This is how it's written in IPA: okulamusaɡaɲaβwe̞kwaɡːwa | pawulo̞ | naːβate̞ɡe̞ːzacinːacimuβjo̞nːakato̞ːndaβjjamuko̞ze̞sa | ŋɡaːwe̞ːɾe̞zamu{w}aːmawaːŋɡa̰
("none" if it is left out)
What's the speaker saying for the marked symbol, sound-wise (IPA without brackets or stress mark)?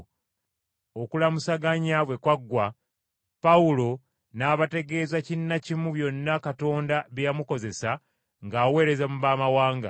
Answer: β